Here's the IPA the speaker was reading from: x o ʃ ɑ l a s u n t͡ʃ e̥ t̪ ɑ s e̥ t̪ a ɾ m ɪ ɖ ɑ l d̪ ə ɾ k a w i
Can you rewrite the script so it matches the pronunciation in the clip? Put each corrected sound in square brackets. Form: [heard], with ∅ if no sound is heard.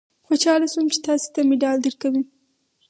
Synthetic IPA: x o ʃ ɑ l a s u [m] t͡ʃ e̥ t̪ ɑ s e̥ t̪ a [∅] m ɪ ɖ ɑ l d̪ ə ɾ k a w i